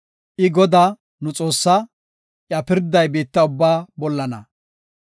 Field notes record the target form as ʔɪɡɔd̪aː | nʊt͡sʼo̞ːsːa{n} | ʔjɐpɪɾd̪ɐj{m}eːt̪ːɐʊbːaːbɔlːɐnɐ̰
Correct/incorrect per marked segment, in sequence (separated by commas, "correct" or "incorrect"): incorrect, incorrect